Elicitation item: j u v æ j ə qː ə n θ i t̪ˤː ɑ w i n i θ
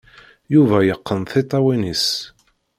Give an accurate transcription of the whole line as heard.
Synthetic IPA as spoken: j u v æ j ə qː ə n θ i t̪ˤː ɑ w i n i s

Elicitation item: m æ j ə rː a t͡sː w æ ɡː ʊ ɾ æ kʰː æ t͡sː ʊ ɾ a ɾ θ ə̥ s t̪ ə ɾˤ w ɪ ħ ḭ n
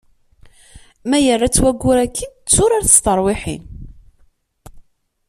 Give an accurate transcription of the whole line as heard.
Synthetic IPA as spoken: m æ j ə rː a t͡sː w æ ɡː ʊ ɾ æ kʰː i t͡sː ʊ ɾ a ɾ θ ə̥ s t̪ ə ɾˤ w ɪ ħ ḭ n

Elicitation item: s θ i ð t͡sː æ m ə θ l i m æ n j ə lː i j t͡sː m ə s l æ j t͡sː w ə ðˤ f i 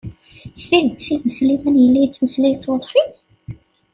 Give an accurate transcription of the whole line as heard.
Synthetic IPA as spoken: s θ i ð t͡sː i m ə θ l i m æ n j ə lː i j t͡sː m ə s l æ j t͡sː w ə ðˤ f i

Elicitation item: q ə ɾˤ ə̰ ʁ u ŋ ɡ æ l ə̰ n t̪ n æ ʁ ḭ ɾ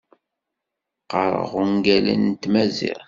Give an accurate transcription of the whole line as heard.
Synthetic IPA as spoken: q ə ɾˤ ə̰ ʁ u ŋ ɡ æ l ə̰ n t̪ m æ z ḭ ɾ

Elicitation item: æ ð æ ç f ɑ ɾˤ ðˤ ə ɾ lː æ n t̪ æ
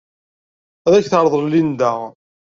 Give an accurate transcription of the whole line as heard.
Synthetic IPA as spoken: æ ð æ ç θ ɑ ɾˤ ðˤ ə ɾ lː i n d̪ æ

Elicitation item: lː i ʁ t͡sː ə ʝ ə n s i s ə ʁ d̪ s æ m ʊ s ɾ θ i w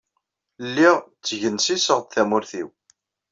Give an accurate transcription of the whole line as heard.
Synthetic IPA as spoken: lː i ʁ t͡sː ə ʝ ə n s i s ə ʁ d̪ θ æ m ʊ ɾ θ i w

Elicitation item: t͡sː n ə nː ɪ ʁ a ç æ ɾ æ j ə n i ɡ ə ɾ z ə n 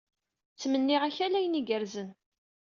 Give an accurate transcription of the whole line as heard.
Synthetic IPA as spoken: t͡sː m ə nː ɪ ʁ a ç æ l æ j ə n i ɡ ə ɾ z ə n

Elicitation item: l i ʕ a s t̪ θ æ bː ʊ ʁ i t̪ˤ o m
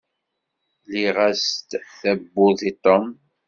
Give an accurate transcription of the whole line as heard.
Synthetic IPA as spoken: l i ʁ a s t̪ θ æ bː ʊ ð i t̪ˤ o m

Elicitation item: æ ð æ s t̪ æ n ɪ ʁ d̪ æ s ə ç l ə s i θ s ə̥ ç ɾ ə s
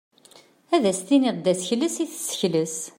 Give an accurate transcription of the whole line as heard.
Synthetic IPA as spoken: æ ð æ s t̪ i n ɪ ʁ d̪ æ s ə ç l ə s i θ s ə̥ ç l ə s

